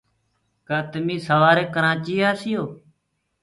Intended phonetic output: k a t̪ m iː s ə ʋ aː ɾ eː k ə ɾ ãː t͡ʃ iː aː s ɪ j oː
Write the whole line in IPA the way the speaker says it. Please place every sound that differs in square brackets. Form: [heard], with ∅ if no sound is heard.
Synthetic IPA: k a t̪ m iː s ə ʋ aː ɾ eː k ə ɾ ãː t͡ʃ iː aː s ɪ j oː